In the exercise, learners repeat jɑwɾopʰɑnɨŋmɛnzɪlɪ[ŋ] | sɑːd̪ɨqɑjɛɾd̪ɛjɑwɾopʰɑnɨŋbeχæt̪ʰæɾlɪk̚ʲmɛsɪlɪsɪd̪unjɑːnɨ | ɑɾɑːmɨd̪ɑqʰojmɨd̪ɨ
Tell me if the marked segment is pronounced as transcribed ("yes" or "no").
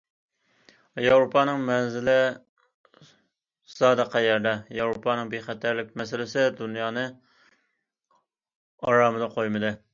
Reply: no